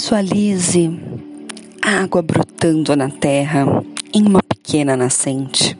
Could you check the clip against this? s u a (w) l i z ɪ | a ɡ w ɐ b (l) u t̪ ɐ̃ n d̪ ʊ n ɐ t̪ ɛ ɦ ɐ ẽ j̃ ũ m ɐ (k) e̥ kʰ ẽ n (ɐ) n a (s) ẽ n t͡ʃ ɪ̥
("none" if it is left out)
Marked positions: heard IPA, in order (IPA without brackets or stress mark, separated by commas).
none, ɾ, p, ɐ, s